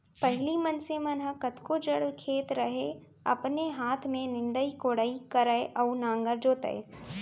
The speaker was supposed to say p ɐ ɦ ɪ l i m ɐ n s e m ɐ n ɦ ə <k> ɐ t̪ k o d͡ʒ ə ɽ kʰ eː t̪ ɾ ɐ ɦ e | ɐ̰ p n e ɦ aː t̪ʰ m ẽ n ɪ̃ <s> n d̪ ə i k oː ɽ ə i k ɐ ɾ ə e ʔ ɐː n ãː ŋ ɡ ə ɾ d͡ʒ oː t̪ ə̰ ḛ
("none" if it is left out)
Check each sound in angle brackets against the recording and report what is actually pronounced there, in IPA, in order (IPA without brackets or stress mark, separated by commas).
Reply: k, none